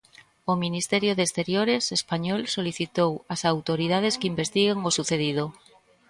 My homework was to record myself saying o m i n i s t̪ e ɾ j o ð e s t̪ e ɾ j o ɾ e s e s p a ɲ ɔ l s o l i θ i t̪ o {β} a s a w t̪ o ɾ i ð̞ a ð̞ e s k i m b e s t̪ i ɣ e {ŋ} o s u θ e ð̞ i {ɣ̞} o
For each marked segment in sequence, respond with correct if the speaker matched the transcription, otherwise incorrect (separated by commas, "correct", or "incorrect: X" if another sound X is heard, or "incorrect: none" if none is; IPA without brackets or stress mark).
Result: incorrect: w, correct, incorrect: ð̞